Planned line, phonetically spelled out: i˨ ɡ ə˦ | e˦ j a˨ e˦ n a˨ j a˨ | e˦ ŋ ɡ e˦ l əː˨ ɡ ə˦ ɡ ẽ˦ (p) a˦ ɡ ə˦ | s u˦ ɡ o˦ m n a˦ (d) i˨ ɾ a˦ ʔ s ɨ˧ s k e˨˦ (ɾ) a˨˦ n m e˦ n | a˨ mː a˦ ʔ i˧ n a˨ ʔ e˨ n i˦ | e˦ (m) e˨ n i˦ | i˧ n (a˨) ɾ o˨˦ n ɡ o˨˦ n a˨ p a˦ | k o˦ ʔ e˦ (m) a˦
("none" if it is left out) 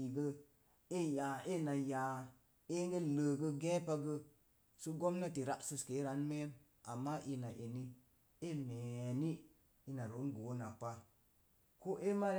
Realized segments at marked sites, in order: p, t, ɾ, m, a˨, m

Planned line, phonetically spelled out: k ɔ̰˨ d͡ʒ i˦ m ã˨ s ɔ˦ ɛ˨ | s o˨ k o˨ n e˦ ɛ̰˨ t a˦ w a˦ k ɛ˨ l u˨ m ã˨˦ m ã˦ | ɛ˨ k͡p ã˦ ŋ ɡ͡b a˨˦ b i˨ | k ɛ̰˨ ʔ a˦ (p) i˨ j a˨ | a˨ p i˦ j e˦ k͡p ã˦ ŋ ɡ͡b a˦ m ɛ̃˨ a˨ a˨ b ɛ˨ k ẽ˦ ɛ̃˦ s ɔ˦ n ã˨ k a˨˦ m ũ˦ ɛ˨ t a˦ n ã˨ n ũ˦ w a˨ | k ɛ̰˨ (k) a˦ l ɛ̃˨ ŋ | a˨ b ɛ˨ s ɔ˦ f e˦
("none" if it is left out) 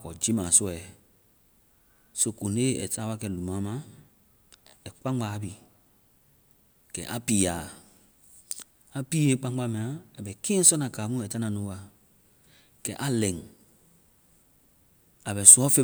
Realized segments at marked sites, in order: p, ʔ

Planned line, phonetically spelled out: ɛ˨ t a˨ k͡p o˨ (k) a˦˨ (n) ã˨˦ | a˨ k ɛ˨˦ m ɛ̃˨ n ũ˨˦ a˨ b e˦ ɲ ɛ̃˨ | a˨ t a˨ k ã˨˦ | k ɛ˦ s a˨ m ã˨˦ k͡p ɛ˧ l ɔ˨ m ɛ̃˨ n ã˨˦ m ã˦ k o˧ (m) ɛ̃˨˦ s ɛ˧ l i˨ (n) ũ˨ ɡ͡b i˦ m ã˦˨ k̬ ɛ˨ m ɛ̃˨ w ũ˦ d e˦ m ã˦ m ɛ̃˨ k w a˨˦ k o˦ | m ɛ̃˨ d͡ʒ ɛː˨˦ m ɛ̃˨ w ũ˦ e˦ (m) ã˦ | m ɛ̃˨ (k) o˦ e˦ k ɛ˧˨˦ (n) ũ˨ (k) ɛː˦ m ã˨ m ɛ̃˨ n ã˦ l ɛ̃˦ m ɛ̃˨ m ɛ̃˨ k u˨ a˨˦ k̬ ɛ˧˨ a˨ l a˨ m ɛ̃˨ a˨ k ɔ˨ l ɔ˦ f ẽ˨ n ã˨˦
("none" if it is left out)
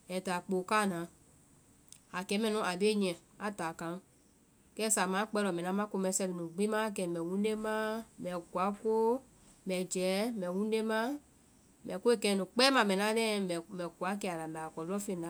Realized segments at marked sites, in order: k, n, m, n, m, k, n, k͡p

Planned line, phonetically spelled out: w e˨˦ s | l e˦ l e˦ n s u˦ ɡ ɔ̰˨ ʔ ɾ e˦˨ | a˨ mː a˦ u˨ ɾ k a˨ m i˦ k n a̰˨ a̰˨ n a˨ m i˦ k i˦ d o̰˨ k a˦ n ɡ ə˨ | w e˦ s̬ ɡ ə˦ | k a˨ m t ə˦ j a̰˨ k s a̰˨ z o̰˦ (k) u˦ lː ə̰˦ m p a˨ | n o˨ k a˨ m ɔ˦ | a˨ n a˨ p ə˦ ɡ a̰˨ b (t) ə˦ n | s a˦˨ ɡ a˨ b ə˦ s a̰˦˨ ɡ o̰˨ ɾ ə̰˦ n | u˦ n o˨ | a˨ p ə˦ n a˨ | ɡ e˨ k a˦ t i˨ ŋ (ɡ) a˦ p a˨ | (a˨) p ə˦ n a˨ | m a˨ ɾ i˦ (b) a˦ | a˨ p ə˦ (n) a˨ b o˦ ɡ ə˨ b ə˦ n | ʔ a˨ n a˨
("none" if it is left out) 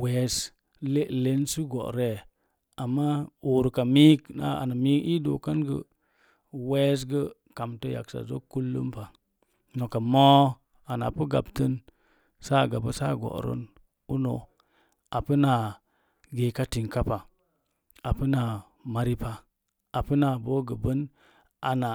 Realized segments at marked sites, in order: k, t, k, a˨, p, n

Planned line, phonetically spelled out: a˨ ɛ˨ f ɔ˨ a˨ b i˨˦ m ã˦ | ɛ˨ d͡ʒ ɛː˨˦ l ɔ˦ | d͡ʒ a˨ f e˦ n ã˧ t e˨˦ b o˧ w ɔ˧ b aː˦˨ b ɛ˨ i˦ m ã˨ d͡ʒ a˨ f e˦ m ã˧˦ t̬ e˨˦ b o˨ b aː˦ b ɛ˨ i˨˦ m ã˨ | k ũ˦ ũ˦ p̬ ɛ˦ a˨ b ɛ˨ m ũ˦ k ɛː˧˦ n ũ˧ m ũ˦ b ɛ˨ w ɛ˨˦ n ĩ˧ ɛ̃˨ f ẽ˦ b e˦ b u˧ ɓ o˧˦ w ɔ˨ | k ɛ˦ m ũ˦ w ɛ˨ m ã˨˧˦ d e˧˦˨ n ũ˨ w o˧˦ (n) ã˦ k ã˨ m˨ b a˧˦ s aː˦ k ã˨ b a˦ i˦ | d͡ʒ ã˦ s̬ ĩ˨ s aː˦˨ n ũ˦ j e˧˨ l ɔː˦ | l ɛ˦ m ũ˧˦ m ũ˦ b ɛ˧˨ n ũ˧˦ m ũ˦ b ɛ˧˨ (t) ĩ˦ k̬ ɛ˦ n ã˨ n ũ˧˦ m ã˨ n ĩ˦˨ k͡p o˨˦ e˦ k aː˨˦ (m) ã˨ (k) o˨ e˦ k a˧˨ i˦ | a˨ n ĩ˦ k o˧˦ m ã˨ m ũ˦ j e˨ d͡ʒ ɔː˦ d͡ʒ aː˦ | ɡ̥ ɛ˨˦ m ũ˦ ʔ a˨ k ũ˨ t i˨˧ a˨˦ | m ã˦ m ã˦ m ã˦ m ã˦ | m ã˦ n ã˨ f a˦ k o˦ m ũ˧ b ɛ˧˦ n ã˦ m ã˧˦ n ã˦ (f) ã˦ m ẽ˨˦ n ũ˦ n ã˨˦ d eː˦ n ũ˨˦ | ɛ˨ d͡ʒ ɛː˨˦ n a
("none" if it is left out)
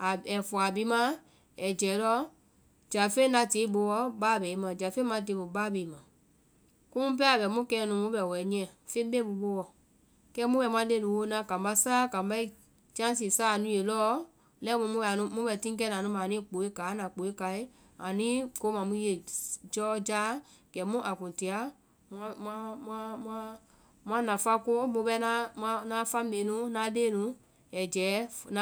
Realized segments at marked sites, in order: n, t, n, k͡p, f

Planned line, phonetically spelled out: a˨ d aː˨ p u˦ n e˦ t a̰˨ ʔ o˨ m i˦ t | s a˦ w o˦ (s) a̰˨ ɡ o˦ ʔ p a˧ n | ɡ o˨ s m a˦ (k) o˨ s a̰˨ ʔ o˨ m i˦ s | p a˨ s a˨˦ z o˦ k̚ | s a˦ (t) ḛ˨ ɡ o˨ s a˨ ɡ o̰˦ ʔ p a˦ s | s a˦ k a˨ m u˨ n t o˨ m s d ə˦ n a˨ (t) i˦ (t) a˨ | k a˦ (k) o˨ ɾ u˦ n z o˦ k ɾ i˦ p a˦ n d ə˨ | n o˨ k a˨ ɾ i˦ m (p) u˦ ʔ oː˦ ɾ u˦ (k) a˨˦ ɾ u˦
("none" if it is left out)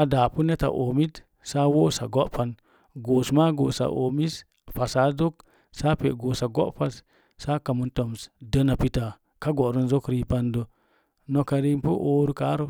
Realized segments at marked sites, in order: s, ɡ, p, p, t, ɡ, p, k

